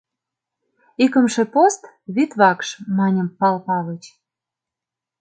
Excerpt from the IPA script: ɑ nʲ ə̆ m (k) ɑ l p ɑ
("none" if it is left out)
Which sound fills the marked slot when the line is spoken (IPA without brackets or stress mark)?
p